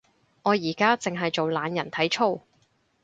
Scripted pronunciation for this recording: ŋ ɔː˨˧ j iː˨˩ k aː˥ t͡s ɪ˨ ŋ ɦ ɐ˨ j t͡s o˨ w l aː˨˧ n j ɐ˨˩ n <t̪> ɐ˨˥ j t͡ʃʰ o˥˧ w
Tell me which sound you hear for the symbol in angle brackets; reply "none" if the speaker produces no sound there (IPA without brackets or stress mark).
t̪ʰ